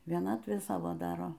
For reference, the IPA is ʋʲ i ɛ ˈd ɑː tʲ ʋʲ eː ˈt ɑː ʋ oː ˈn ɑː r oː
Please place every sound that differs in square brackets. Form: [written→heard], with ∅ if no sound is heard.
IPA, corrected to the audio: ʋʲ i ɛ [ˈd→ˈn] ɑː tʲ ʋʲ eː [ˈt→ˈs] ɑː ʋ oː [ˈn→ˈd] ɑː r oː